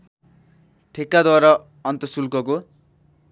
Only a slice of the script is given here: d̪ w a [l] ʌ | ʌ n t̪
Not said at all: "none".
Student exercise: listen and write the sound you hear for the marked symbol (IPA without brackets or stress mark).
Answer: ɾ